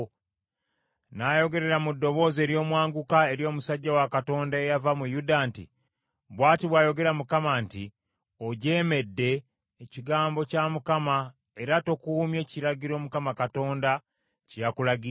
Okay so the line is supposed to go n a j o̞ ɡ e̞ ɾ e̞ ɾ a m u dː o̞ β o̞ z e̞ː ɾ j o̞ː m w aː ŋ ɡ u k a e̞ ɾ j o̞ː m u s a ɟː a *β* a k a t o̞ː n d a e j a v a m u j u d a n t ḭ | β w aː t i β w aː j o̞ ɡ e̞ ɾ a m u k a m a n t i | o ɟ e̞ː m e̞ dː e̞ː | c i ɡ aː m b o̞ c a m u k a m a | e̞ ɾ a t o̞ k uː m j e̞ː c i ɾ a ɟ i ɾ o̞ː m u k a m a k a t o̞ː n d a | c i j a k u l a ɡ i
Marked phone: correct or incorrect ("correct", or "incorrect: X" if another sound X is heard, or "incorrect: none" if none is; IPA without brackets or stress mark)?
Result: incorrect: w